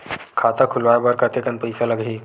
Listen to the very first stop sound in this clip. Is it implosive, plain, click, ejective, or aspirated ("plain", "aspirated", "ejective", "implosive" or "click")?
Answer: aspirated